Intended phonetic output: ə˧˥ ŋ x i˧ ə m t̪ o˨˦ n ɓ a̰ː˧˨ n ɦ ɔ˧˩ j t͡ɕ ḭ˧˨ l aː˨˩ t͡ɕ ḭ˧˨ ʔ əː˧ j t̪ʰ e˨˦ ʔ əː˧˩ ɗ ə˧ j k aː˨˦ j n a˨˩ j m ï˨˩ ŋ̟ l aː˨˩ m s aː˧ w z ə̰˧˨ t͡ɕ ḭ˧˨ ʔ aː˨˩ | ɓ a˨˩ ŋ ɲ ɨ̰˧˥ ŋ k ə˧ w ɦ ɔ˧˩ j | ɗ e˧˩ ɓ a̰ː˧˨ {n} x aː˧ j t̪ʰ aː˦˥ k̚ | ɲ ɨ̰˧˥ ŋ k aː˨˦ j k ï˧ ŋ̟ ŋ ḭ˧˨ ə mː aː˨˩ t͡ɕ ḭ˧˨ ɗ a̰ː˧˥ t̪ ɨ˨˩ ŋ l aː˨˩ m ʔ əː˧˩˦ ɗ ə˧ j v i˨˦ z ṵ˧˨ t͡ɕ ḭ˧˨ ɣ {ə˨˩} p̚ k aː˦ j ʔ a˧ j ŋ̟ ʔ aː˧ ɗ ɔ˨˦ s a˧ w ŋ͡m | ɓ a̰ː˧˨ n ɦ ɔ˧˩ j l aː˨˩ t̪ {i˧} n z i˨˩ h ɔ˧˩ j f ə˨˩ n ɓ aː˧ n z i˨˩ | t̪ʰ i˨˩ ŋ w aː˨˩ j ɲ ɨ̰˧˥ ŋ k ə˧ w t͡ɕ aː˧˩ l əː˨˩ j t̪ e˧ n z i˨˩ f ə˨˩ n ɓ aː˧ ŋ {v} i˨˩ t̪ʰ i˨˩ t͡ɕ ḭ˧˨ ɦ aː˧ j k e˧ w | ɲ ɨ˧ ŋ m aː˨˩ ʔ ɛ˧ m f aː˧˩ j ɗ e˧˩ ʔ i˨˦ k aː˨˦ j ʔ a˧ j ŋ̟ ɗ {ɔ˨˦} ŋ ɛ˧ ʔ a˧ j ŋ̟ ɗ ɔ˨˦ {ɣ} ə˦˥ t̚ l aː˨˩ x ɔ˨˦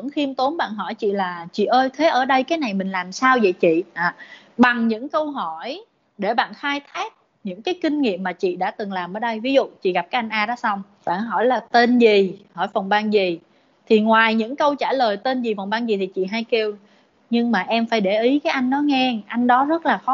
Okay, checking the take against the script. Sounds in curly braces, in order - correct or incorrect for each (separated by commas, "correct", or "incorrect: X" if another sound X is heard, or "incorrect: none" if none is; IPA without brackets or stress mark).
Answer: correct, incorrect: a˨˩, incorrect: e˧, incorrect: z, correct, incorrect: z